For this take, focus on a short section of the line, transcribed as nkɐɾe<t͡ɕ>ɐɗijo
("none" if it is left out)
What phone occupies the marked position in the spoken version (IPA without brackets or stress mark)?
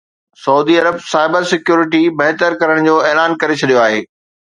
t͡ɕʰ